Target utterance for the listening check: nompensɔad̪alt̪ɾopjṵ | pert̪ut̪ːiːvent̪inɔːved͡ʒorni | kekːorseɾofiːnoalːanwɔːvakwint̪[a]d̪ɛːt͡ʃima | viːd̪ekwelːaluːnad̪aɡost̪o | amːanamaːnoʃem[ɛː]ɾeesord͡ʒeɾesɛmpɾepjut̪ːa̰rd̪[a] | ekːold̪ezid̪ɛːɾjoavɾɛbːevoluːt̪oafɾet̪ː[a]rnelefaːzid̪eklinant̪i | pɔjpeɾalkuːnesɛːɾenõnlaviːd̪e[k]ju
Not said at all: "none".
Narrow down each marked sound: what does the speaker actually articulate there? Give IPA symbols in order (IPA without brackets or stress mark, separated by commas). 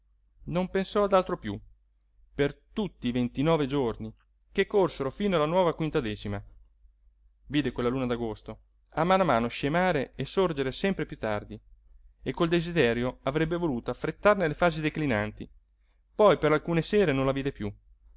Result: a, aː, i, a, p